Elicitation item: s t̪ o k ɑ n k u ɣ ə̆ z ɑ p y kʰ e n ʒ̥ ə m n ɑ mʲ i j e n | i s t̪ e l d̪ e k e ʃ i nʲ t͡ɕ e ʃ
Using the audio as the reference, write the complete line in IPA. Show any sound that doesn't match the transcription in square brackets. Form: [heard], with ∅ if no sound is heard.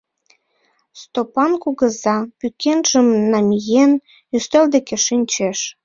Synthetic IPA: s t̪ o [p] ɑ n k u ɣ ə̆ z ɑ p y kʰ e n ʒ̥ ə m n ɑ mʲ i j e n | [y] s t̪ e l d̪ e k e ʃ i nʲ t͡ɕ e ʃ